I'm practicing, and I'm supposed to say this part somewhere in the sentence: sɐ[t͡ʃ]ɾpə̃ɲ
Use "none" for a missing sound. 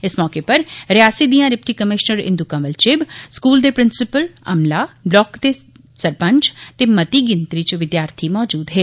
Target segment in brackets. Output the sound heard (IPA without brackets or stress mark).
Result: none